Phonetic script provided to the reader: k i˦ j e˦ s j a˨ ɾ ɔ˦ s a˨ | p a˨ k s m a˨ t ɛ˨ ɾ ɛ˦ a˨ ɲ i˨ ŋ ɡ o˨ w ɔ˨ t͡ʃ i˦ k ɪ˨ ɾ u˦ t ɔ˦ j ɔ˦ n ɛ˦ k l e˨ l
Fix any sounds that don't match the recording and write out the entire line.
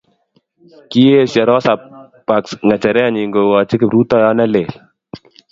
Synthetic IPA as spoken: k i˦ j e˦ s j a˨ ɾ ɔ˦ s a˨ | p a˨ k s ŋ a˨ t͡ʃ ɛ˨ ɾ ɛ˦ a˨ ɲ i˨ ŋ ɡ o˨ w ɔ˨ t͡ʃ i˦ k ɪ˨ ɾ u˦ t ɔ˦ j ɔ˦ n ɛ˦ l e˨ l